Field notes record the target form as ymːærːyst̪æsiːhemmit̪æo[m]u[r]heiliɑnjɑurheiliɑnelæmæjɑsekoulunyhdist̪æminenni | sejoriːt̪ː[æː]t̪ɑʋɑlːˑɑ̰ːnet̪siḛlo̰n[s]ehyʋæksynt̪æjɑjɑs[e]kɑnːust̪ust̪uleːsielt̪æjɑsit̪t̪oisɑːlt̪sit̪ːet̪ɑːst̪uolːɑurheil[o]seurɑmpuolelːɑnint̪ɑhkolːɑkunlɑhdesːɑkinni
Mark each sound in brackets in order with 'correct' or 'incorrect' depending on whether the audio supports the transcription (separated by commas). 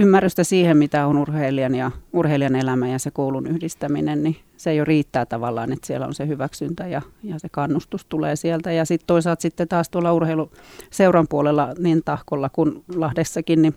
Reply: incorrect, correct, correct, correct, correct, incorrect